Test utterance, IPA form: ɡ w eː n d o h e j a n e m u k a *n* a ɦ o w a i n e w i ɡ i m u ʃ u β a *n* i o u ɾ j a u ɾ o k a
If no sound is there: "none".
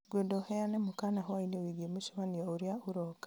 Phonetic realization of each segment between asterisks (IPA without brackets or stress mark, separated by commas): n, n